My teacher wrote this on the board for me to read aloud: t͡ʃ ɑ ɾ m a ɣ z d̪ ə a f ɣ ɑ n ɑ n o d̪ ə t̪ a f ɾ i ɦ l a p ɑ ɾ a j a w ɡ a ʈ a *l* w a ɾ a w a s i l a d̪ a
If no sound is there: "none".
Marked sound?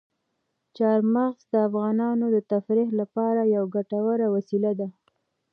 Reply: none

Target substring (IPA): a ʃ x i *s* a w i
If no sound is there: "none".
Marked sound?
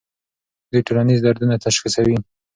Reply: s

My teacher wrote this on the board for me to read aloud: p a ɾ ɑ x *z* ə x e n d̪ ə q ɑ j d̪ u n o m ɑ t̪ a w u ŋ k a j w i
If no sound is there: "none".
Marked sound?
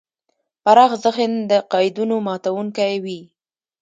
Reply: z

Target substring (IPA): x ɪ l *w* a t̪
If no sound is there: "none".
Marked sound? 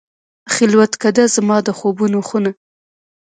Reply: w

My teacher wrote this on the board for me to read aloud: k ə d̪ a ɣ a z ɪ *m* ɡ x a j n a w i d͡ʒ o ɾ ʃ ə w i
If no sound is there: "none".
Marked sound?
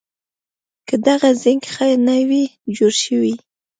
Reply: ŋ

